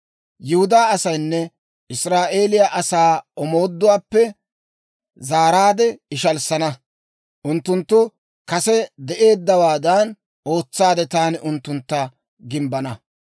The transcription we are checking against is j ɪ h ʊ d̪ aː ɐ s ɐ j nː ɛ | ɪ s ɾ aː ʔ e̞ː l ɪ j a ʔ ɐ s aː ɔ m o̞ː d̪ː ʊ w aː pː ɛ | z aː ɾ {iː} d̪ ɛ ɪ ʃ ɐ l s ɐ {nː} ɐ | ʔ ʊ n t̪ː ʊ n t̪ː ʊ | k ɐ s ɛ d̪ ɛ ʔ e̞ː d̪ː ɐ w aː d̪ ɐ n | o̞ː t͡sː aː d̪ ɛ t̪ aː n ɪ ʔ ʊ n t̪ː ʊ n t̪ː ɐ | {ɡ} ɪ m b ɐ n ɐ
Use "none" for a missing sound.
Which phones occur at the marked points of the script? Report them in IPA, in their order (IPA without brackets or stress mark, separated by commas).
aː, n, ɡ